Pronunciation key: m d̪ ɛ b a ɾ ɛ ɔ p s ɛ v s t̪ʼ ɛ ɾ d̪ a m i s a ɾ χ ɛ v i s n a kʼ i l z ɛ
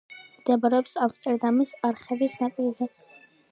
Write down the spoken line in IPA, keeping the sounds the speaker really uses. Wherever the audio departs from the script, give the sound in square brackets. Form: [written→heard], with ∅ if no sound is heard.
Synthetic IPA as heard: m d̪ ɛ b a ɾ ɛ ɔ p s [ɛ→a] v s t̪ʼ ɛ ɾ d̪ a m i s a ɾ χ ɛ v i s n a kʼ i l z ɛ